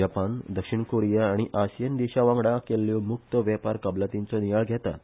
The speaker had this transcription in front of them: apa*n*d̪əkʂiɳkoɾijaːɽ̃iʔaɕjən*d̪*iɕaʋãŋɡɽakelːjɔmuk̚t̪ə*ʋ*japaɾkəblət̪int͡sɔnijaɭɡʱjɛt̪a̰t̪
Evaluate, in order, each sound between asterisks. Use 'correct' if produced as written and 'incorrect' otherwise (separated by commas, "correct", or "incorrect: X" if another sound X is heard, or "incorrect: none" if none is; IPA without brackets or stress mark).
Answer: correct, correct, correct